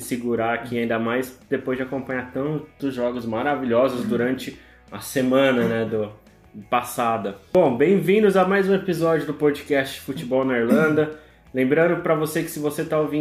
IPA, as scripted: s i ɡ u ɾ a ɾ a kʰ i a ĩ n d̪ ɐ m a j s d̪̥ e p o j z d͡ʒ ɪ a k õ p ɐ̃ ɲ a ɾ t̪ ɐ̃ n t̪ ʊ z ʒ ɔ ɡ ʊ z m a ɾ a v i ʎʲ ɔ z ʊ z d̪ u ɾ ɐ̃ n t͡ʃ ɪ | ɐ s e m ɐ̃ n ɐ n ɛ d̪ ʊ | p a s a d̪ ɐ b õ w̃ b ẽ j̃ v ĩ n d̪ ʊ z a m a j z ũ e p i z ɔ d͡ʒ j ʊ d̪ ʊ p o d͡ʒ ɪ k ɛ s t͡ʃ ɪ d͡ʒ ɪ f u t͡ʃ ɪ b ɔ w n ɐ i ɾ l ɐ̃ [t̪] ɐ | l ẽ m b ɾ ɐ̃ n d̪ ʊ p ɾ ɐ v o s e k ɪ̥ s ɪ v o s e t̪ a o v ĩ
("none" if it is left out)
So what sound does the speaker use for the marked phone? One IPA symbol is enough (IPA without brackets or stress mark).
d̪